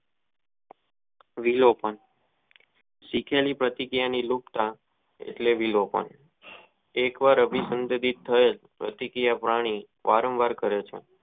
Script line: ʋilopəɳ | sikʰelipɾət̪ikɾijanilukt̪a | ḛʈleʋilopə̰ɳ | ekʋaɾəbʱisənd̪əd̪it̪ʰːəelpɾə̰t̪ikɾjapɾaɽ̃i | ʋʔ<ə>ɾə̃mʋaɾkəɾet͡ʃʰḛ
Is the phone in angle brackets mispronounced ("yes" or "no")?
yes